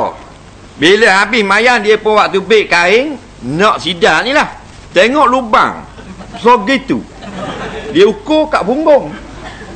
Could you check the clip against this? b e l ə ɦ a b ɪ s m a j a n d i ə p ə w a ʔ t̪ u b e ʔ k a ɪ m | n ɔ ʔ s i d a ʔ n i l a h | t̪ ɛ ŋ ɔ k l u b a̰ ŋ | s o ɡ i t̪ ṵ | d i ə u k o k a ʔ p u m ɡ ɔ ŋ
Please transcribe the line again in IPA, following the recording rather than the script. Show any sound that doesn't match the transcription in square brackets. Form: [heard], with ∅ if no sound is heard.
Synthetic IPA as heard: b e l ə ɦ a b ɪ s m a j a n d i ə p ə w a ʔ t̪ u b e ʔ k a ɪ [ŋ] | n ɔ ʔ s i d a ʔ n i l a h | t̪ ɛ ŋ ɔ [ʔ] l u b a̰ ŋ | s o ɡ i t̪ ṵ | d i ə u k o k a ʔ p u [ŋ] ɡ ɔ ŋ